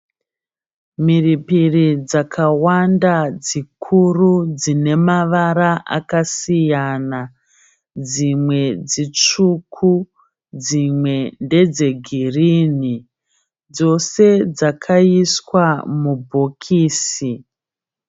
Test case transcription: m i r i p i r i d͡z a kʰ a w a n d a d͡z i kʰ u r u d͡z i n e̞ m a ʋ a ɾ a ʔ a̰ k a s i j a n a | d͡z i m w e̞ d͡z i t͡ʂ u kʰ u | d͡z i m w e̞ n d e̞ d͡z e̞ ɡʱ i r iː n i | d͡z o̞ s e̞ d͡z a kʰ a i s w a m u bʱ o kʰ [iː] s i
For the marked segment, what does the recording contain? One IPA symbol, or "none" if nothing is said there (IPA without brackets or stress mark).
iː